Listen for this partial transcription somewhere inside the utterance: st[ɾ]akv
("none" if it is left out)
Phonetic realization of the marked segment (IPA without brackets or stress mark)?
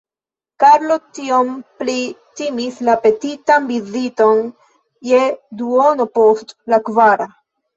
l